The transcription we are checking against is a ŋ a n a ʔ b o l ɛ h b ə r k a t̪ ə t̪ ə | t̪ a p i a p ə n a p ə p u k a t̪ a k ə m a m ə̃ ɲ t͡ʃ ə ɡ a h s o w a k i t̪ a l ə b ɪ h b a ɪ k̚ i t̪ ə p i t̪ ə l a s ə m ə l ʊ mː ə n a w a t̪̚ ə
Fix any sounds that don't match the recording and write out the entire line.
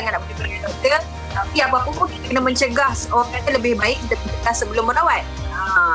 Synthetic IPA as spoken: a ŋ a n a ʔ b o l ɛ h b ə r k a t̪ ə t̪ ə | t̪ a p i a p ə a p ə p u k i t̪ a k ə n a m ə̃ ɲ t͡ʃ ə ɡ a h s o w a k a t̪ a l ə b ɪ h b a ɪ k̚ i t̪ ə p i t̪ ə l a s ə b ə l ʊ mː ə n a w a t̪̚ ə